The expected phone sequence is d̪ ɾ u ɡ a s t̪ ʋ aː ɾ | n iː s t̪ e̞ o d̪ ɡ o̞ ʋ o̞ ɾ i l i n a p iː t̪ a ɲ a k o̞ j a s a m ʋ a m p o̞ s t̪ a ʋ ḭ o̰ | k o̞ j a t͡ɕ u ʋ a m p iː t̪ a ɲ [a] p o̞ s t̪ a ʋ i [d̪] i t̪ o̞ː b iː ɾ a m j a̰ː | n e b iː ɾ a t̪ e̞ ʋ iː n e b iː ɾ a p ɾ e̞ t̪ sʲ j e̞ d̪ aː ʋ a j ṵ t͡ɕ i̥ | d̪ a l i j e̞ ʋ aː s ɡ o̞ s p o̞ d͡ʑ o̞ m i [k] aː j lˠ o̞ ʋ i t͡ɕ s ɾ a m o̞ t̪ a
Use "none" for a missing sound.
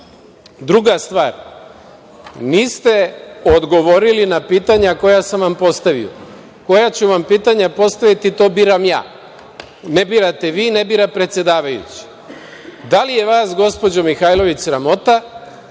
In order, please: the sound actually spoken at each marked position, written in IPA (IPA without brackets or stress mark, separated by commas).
a, t̪, x